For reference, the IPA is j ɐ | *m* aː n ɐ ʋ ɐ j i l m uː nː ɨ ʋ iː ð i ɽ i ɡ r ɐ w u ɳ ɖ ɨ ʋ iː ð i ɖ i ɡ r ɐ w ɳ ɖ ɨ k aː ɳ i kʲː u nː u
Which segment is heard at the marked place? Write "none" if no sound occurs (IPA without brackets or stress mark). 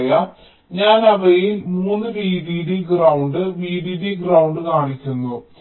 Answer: ɲ